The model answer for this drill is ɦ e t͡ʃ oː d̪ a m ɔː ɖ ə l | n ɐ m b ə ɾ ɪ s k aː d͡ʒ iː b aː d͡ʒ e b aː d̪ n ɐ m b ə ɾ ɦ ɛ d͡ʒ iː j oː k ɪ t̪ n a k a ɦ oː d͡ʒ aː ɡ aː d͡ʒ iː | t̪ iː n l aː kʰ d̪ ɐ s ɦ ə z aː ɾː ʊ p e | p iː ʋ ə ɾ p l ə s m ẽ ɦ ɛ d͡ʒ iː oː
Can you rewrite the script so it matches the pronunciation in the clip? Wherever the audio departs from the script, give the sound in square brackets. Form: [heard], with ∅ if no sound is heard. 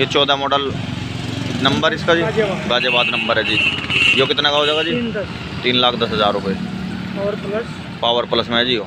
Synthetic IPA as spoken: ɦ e t͡ʃ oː d̪ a m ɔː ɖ ə l | n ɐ m b ə ɾ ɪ s k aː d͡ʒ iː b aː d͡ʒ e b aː d̪ n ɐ m b ə ɾ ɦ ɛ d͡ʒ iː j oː k ɪ t̪ n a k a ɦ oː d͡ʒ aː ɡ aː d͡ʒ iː | t̪ iː n l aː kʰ d̪ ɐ s ɦ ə z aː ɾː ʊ p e | p [aː] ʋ ə ɾ p l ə s m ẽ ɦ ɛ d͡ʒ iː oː